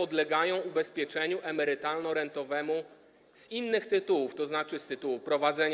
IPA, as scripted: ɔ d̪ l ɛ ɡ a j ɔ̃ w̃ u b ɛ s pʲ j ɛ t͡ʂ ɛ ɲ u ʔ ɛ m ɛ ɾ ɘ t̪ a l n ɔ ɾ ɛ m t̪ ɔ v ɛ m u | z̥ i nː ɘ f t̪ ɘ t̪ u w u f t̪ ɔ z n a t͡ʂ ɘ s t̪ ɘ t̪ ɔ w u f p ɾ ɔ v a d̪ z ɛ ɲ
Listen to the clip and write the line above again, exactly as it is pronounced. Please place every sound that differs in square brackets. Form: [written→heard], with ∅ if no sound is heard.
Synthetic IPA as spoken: ɔ d̪ l ɛ ɡ a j ɔ̃ w̃ u b ɛ s pʲ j ɛ t͡ʂ ɛ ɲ u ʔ ɛ m ɛ ɾ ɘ t̪ a l n ɔ ɾ ɛ [m→n] t̪ ɔ v ɛ m u | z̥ i nː ɘ [f→x] t̪ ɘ t̪ u w u f t̪ ɔ z n a t͡ʂ ɘ s t̪ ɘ t̪ [ɔ→u] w u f p ɾ ɔ v a d̪ z ɛ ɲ